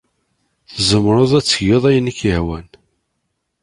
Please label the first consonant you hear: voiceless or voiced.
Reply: voiceless